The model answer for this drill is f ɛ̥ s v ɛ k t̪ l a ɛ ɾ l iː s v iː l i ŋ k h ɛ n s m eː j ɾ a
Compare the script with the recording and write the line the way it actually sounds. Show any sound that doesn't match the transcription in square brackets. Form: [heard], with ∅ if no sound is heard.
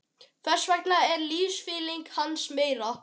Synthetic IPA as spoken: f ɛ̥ s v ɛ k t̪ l a ɛ ɾ l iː s [f] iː l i ŋ k h [a] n s m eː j ɾ a